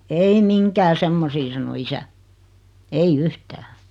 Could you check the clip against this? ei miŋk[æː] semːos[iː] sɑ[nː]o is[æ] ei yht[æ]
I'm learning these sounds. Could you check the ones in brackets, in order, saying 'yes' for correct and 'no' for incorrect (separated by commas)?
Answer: yes, yes, no, yes, no